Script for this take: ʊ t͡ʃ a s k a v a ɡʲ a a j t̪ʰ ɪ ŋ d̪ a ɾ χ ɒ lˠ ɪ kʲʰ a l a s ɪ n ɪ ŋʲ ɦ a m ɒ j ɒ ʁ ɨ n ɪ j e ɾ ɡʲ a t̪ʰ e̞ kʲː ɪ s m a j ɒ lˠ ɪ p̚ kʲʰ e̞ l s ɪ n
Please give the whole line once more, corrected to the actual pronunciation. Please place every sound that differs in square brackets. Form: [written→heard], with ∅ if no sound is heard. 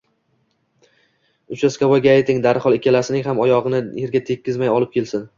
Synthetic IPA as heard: ʊ t͡ʃ a s k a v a ɡʲ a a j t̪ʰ ɪ ŋ d̪ a ɾ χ ɒ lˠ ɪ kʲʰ a l a s ɪ n ɪ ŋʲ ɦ a m ɒ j ɒ ʁ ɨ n ɪ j e ɾ ɡʲ a t̪ʰ e̞ kʲː ɪ [s→z] m a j ɒ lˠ ɪ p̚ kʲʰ e̞ l s ɪ n